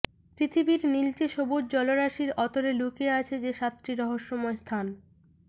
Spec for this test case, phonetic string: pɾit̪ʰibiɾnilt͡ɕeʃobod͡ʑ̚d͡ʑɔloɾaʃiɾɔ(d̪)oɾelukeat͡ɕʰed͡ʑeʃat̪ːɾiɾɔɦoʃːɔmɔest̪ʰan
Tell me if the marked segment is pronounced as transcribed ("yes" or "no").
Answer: no